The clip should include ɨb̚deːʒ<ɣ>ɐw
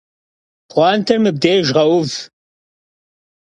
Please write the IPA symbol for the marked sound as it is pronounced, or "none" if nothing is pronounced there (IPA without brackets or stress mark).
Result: ʁ